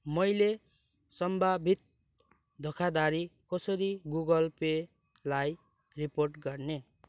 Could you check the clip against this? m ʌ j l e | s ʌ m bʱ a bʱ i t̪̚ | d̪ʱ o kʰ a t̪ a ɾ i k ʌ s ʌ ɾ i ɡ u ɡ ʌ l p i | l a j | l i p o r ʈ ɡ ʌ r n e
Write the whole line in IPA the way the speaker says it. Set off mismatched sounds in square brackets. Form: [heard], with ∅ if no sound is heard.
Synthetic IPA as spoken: m ʌ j l e | s ʌ m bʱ a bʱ i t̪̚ | d̪ʱ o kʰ a [d̪] a ɾ i k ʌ s ʌ ɾ i ɡ u ɡ ʌ l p [e] | l a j | [r] i p o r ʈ ɡ ʌ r n e